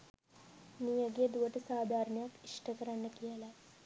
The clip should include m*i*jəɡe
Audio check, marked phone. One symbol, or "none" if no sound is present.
i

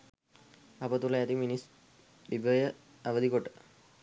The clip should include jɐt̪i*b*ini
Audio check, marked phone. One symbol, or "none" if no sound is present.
m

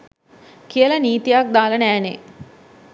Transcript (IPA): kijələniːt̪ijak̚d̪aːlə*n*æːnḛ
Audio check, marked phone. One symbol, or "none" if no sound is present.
n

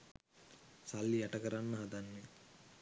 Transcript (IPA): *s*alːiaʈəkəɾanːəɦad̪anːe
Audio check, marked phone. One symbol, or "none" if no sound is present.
s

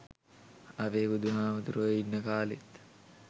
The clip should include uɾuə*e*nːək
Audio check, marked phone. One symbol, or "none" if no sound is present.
i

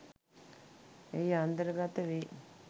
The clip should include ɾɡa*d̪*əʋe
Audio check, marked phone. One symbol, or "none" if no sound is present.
t̪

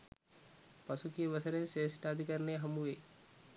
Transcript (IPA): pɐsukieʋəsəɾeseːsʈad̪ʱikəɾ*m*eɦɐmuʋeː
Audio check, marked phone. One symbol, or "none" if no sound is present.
n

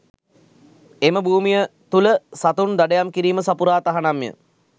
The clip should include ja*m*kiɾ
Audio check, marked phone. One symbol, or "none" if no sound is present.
m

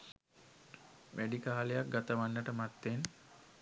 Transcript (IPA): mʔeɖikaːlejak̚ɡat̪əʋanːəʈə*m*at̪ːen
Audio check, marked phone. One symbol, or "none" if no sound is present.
m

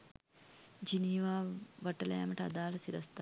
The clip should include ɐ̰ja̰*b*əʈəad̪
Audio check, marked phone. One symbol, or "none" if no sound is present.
m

